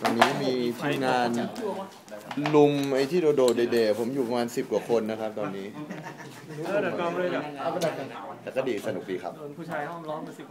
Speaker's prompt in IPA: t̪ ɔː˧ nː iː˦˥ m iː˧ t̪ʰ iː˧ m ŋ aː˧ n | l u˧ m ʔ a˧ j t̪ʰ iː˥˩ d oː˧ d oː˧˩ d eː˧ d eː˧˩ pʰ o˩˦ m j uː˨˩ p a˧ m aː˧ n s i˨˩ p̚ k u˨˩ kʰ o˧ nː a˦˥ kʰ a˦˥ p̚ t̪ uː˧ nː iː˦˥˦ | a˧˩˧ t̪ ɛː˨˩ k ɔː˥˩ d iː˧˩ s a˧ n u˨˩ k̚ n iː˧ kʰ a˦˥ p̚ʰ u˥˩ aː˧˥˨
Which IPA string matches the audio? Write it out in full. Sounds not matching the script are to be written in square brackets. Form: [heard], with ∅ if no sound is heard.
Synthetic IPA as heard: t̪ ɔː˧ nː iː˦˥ m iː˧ t̪ʰ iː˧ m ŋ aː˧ n | l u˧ m ʔ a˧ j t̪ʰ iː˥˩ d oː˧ d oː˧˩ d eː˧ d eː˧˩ pʰ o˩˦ m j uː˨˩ p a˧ m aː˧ n s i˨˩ p̚ k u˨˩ kʰ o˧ nː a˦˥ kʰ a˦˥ p̚ t̪ [ɔː˧] nː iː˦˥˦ | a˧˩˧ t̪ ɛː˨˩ k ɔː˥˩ d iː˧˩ s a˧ n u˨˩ k̚ [d] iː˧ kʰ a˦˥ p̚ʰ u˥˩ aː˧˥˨